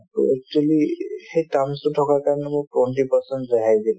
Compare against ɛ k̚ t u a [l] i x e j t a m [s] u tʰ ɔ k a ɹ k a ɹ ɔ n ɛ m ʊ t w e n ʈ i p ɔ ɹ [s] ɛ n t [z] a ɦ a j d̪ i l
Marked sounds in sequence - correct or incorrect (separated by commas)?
correct, correct, correct, correct